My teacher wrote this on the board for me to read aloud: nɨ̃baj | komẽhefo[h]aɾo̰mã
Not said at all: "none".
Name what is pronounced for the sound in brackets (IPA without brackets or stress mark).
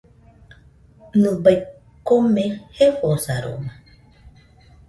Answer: s